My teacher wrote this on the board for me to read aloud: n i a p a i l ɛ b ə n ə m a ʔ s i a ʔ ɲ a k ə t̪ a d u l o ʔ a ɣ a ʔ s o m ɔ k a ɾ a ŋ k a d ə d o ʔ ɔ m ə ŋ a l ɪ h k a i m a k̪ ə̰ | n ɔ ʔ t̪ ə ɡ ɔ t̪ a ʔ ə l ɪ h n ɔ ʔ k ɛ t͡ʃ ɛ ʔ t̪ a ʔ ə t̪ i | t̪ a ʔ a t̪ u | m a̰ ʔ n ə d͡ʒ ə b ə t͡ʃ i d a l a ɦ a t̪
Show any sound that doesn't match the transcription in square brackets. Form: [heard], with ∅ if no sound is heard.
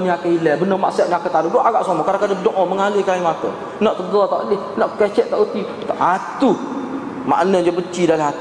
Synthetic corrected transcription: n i a [k] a i l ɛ b ə n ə m a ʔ s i a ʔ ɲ a k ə t̪ a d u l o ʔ a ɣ a ʔ s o m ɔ k a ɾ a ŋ k a d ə d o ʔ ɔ m ə ŋ a l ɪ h k a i m a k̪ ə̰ | n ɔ ʔ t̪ ə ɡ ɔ t̪ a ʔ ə l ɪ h n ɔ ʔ k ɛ t͡ʃ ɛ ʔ t̪ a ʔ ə t̪ i | t̪ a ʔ a t̪ u | m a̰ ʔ n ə d͡ʒ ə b ə t͡ʃ i d a l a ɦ a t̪